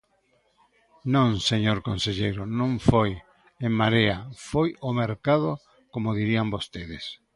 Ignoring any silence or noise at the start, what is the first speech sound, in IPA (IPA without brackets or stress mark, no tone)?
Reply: n